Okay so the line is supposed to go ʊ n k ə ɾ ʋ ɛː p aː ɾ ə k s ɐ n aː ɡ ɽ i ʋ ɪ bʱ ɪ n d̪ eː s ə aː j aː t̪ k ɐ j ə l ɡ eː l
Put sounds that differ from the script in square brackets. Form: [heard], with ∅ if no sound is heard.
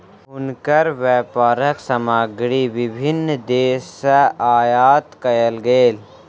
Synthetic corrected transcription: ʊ n k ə ɾ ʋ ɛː p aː ɾ ə k s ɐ [m] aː ɡ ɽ i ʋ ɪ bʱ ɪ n d̪ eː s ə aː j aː t̪ k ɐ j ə l ɡ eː l